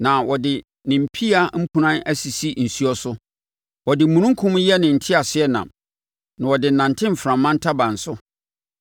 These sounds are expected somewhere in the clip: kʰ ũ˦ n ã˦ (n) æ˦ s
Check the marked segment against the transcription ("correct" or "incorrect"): correct